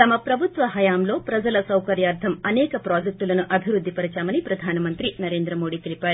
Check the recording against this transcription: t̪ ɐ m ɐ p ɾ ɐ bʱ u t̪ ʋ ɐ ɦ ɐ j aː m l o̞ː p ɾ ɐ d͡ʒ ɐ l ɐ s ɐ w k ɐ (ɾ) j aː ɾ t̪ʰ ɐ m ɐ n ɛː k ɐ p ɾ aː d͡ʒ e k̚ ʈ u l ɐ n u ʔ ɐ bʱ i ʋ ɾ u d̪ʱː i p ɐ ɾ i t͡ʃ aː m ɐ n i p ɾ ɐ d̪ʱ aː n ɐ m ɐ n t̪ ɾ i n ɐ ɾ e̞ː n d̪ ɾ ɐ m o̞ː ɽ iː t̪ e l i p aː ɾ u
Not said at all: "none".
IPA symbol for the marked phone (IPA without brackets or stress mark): ɾ